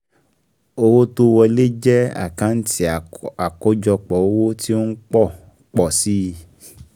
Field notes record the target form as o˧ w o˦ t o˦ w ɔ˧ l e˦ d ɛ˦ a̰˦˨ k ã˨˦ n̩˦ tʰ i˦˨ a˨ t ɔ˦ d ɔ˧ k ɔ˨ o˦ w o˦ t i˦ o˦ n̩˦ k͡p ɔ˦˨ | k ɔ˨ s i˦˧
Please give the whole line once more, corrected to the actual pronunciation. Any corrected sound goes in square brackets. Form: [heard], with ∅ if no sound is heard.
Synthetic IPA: o˧ w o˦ t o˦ w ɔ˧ l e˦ [d͡ʒ] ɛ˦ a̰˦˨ k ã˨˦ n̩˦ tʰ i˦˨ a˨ [k] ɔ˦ [d͡ʒ] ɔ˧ [k͡p] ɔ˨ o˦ w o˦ t i˦ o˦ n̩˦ k͡p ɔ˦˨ | [k͡p] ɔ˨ s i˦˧